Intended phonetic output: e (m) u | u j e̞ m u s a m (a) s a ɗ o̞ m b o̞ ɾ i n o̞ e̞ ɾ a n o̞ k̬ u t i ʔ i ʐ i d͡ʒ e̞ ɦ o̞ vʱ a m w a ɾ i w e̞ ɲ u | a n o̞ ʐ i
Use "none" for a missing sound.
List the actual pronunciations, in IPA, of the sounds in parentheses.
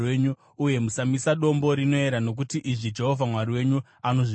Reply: ɲ, i

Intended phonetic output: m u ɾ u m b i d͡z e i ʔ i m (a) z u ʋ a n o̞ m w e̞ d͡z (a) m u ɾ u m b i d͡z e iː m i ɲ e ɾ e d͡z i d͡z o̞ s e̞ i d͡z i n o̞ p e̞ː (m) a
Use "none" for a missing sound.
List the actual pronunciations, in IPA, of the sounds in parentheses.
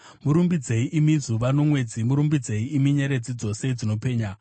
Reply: i, i, ɲ

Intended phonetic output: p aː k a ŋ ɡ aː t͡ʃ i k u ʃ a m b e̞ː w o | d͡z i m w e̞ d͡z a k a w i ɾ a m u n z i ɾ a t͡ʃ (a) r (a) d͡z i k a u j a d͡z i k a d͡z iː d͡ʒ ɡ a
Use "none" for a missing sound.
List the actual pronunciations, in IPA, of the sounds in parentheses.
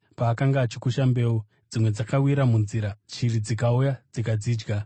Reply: i, i

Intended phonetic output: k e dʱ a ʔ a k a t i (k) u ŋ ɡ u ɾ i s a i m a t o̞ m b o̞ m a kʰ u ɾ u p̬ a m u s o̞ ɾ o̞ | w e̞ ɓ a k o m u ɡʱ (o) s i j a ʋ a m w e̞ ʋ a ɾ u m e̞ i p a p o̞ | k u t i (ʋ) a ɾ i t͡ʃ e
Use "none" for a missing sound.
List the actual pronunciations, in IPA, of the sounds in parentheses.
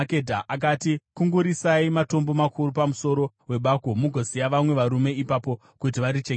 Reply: k, o, ʋ

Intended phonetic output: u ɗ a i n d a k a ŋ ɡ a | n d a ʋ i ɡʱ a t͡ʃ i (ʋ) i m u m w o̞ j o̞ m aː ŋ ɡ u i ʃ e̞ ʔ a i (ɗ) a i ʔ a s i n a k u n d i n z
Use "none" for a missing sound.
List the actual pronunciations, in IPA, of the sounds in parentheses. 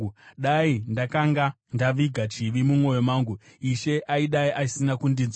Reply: ʋ, ɗ

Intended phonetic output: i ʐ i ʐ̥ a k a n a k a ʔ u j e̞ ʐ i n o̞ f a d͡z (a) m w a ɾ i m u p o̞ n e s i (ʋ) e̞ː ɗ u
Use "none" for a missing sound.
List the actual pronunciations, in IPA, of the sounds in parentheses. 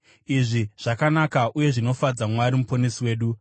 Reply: a, w

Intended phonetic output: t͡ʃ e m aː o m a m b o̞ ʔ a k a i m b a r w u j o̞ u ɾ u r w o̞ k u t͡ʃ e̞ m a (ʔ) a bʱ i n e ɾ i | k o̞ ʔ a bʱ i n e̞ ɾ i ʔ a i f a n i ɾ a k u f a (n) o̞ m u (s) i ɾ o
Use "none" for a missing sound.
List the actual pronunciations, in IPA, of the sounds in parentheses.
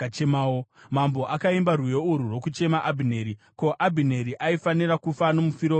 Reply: ʔ, n, f

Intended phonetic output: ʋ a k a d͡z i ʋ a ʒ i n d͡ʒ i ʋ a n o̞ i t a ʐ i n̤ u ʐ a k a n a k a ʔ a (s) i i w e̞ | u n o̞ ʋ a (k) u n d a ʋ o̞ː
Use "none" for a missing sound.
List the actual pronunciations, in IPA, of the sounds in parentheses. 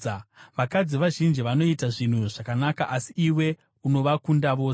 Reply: s, k

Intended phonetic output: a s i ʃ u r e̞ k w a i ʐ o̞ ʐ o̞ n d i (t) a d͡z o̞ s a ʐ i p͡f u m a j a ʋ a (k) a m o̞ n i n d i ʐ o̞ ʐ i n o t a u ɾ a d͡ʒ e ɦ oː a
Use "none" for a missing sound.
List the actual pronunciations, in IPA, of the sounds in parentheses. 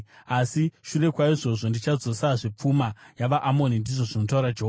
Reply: t͡ʃ, ʔ

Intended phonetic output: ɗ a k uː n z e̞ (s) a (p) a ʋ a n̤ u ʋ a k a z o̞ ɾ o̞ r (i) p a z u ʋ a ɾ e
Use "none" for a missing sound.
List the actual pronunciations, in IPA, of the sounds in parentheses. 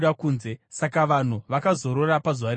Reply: s, k, a

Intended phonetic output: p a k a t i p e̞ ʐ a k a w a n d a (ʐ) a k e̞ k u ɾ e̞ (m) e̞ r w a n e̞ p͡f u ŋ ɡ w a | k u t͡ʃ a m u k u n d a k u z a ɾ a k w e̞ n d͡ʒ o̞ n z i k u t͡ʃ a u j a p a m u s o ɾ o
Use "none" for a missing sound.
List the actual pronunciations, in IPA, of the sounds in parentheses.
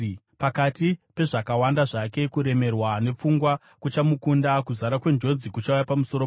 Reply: ʐ, m

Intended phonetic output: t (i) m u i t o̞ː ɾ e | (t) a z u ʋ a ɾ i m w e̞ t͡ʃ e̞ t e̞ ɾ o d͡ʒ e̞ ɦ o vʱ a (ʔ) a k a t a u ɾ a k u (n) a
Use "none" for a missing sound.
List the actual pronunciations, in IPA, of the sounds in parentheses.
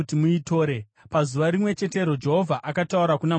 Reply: i, p, ʔ, n

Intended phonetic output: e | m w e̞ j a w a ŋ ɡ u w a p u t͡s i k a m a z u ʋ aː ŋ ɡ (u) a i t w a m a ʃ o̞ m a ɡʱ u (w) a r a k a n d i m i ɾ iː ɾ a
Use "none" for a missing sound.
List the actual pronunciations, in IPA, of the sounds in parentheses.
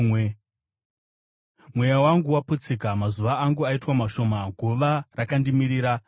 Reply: u, ʋ

